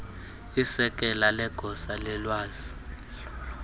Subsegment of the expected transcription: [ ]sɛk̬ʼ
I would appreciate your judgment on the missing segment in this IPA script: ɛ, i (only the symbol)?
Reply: i